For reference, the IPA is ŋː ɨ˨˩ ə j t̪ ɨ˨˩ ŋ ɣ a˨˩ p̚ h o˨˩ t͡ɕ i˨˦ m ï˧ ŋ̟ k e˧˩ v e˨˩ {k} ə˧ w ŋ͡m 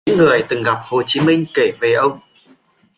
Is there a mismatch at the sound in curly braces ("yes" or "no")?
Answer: yes